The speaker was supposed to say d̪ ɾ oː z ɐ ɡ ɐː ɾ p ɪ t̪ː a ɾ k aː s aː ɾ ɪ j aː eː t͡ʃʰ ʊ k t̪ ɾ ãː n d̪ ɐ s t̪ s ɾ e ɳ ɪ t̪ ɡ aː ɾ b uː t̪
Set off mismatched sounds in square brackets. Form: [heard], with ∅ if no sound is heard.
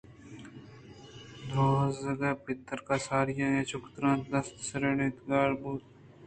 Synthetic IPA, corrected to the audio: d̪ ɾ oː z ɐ ɡ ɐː [∅] p ɪ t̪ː [ə] ɾ k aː s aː ɾ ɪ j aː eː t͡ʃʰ ʊ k t̪ ɾ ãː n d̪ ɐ s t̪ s ɾ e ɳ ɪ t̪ ɡ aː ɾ b uː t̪

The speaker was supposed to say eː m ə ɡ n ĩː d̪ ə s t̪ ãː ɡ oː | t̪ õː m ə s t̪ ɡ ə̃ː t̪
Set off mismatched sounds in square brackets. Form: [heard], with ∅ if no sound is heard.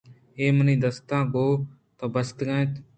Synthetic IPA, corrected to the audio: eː m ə [∅] n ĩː d̪ ə s t̪ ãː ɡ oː | t̪ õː [b] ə s t̪ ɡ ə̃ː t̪

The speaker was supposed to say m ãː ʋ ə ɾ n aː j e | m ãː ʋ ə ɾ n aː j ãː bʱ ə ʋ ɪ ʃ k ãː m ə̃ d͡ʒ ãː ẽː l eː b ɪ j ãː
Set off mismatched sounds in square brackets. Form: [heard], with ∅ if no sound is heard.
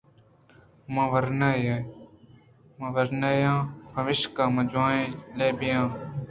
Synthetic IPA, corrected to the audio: m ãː ʋ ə ɾ n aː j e | m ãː ʋ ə ɾ n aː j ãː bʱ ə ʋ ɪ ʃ k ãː m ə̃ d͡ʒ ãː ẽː l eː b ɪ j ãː

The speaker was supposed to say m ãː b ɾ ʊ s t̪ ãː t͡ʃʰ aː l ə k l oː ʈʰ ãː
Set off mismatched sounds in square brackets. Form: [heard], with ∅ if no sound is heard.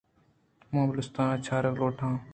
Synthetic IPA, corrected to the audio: m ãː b [l] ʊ s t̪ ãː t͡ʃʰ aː [ɾ] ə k l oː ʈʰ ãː

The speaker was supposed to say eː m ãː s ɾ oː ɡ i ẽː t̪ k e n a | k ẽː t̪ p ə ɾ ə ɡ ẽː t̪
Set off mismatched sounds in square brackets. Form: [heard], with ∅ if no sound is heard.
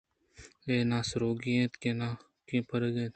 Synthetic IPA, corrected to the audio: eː [n] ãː s ɾ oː ɡ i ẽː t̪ k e n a | k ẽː [∅] p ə ɾ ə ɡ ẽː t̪

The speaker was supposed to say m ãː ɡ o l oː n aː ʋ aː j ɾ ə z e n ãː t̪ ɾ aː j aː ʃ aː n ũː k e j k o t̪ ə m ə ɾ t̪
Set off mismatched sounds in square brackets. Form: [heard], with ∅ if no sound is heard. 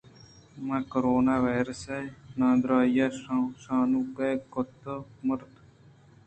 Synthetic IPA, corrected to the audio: m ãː [k] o [ɾ] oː n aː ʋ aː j ɾ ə [s] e n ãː [d̪] ɾ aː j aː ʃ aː n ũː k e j k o t̪ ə m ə ɾ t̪

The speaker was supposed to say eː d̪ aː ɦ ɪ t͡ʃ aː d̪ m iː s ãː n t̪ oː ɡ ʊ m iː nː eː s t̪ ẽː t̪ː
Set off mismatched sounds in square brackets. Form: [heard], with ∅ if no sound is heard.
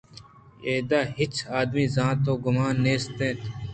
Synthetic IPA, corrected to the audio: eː d̪ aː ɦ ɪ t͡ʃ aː d̪ m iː [z] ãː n t̪ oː ɡ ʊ m [aː] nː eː s t̪ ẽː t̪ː

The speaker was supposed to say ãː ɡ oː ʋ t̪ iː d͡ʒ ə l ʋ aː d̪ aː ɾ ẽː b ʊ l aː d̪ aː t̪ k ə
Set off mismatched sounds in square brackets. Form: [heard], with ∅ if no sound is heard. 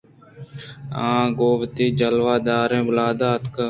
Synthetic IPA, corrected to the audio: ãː ɡ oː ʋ t̪ iː d͡ʒ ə l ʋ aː d̪ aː ɾ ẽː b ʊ l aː d̪ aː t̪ k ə

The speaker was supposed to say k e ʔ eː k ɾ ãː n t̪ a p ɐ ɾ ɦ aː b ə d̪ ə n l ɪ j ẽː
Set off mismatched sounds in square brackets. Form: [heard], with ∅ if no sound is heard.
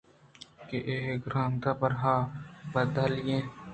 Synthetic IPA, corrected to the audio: k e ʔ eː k ɾ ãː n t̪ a p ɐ ɾ ɦ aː b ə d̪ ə [∅] l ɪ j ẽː

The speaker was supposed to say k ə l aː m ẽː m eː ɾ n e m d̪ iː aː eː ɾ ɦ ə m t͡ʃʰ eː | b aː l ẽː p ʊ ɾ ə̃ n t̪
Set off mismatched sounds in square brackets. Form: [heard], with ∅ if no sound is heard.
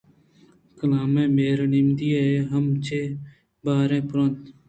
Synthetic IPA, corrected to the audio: k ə l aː m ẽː m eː ɾ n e m d̪ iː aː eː [∅] ɦ ə m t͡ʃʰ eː | b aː [ɾ] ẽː p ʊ ɾ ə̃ n t̪

